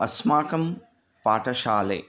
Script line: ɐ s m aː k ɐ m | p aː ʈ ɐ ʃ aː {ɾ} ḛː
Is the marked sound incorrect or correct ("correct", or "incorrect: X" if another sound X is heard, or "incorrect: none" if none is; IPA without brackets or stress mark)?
incorrect: l